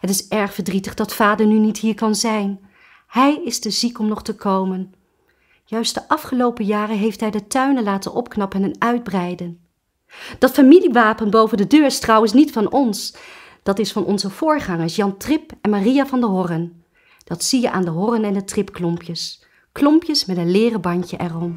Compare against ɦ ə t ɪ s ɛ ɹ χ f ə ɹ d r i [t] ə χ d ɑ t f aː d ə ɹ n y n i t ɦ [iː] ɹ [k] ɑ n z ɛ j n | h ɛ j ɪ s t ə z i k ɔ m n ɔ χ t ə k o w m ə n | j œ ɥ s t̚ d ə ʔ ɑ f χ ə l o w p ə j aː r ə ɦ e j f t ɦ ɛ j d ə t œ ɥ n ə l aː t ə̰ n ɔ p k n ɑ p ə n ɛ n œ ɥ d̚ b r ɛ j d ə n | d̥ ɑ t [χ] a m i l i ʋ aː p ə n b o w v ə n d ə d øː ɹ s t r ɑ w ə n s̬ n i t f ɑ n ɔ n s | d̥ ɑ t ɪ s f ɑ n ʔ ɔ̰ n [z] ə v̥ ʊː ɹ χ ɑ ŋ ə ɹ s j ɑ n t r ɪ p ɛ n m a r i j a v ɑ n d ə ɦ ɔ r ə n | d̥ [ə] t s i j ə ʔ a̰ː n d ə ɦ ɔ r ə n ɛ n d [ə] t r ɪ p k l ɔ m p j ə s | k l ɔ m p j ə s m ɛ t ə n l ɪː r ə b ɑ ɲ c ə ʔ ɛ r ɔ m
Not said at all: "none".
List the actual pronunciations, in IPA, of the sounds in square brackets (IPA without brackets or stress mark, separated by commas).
t, iː, k, f, z, ɑ, ə